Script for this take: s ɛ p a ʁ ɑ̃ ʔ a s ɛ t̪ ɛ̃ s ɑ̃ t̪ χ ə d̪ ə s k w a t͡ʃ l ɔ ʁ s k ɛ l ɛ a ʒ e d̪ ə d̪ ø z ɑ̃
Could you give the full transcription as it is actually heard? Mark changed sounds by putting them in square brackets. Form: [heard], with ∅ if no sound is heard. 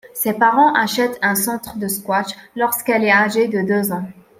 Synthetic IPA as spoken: s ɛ p a ʁ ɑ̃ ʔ a [ʃ] ɛ t̪ ɛ̃ s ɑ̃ t̪ χ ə d̪ ə s k w a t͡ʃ l ɔ ʁ s k ɛ l ɛ a ʒ e d̪ ə d̪ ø z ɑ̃